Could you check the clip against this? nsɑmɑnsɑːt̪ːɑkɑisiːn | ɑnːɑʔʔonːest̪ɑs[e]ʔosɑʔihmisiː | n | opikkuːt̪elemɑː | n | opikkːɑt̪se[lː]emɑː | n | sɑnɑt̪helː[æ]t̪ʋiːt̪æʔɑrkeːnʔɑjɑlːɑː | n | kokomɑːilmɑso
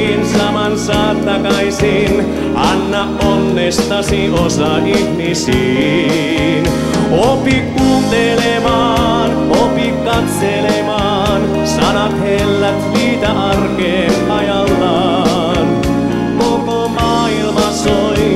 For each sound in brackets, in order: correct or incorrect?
incorrect: i, incorrect: l, correct

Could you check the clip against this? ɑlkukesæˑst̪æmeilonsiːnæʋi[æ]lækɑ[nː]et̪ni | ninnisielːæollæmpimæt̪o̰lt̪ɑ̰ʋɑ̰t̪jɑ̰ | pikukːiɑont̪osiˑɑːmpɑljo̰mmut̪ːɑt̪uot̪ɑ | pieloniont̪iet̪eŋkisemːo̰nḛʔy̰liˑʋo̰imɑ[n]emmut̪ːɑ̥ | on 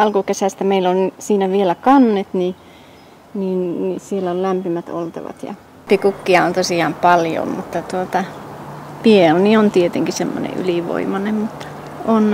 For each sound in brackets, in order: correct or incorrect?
incorrect: e, correct, correct

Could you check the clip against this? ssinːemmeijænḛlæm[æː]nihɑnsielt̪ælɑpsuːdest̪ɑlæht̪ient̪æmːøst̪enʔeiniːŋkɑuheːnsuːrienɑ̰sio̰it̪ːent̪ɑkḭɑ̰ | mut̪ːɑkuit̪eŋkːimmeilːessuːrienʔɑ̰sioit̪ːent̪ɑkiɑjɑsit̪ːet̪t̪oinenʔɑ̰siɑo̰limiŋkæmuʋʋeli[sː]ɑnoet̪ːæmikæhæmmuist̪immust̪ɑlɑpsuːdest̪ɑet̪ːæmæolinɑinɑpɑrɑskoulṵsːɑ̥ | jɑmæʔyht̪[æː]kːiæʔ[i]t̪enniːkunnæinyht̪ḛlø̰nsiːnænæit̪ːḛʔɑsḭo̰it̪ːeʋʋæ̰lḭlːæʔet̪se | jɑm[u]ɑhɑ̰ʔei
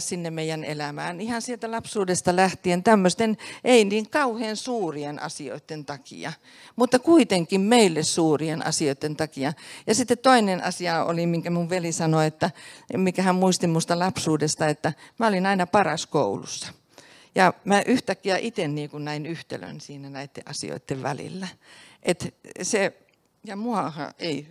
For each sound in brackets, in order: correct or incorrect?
correct, incorrect: s, incorrect: æ, correct, correct

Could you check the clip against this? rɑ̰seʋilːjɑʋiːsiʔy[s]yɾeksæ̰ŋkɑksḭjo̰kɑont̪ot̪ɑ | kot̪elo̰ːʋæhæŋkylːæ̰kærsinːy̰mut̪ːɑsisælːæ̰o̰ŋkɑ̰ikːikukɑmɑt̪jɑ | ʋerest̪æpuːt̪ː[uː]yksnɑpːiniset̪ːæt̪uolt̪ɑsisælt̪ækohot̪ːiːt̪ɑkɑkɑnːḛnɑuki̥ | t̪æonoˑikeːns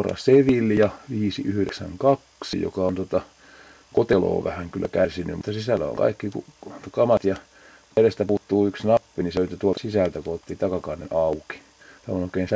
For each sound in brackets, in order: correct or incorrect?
incorrect: h, correct

